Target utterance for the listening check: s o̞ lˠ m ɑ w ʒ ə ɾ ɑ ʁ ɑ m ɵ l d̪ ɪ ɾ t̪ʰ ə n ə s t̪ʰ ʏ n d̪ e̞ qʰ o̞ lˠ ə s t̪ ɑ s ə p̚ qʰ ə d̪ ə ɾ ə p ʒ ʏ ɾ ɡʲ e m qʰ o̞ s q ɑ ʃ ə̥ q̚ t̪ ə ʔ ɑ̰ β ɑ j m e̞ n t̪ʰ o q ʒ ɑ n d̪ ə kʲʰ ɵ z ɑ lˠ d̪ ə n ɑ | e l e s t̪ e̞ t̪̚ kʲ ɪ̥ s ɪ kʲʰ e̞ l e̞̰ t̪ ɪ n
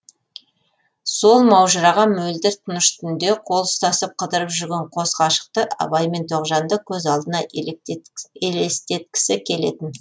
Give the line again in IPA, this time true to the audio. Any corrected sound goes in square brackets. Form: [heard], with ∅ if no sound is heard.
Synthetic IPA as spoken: s o̞ lˠ m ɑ w ʒ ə ɾ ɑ ʁ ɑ m ɵ l d̪ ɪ ɾ t̪ʰ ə n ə [ʃ] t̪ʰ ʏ n d̪ e̞ qʰ o̞ lˠ ə s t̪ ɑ s ə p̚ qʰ ə d̪ ə ɾ ə p ʒ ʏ ɾ ɡʲ e [ɴ] qʰ o̞ s q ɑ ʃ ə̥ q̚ t̪ ə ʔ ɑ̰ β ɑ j m e̞ n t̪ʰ o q ʒ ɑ n d̪ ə kʲʰ ɵ z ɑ lˠ d̪ ə n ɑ | e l e s t̪ e̞ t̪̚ kʲ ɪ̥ s ɪ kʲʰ e̞ l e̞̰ t̪ ɪ n